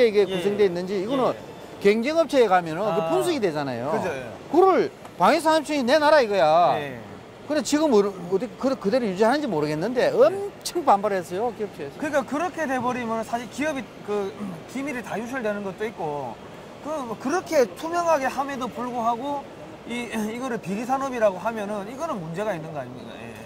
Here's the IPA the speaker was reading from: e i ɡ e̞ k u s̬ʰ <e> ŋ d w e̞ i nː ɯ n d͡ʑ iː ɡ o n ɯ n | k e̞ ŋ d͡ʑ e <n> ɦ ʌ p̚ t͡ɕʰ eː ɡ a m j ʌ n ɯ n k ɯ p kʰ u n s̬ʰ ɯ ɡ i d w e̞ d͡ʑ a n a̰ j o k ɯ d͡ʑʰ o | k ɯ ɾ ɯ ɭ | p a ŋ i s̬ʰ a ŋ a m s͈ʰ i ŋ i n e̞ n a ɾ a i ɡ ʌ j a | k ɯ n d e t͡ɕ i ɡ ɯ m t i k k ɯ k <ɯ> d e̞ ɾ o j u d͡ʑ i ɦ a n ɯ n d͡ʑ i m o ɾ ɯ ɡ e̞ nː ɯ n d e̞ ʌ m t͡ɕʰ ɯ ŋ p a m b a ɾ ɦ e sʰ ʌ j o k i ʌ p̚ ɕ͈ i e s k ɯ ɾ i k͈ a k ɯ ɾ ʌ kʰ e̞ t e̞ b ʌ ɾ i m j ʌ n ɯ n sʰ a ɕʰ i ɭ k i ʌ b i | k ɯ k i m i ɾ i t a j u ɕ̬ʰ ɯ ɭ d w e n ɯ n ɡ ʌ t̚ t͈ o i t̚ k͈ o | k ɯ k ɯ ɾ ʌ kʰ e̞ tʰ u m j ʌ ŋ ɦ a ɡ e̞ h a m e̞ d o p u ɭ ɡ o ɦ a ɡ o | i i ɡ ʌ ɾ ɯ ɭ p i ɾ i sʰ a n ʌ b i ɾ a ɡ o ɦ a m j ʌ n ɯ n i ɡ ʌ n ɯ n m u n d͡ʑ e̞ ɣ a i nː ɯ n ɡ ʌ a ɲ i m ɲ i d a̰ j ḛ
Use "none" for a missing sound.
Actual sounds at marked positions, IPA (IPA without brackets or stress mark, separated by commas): e, ŋ, ɯ